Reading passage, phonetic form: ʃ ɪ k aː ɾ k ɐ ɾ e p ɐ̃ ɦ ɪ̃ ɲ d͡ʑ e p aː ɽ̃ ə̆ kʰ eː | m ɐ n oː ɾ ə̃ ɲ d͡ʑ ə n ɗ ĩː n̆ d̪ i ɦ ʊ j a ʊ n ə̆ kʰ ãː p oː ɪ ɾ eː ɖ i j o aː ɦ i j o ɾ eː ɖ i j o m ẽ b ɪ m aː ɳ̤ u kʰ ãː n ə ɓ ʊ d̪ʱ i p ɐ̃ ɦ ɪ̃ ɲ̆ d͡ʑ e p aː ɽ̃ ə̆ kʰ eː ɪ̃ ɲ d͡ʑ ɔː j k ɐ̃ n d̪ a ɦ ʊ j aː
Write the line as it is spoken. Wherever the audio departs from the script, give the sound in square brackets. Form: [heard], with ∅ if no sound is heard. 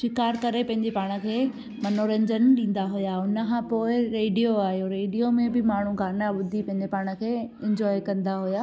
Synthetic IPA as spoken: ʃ ɪ k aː ɾ k ɐ ɾ e p ɐ̃ ɦ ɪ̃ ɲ d͡ʑ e p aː ɽ̃ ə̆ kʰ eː | m ɐ n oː ɾ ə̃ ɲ d͡ʑ ə n ɗ ĩː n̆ d̪ [a] ɦ ʊ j a ʊ n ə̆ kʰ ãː p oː ɪ ɾ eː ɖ i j o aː ɦ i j o ɾ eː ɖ i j o m ẽ b ɪ m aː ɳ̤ u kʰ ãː n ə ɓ ʊ d̪ʱ i p ɐ̃ ɦ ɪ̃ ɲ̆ d͡ʑ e p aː ɽ̃ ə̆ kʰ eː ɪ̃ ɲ d͡ʑ ɔː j k ɐ̃ n d̪ a ɦ ʊ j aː